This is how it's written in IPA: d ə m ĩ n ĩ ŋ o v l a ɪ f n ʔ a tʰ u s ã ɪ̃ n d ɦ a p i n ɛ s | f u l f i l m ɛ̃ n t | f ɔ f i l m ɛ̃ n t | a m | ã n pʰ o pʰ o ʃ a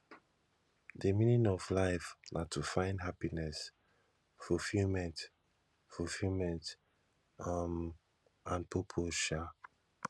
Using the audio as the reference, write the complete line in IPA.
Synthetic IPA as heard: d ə m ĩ n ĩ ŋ ɔ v l a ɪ f n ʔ a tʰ u f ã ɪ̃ n d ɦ a p i n ɛ s | f u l f i l m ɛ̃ n t | f u f i l m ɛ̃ n t | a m | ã n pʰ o pʰ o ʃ a